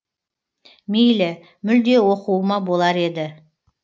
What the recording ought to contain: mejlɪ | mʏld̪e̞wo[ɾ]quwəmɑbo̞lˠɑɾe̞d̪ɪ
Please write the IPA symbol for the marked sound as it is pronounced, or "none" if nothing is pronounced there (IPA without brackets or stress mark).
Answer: none